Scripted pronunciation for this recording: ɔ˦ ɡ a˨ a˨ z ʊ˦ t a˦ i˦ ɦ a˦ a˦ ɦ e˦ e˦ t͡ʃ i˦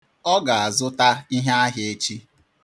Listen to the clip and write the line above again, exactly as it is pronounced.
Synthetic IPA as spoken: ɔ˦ ɡ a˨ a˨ z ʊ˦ t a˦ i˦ ɦ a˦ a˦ ɦ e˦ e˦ t͡ʃ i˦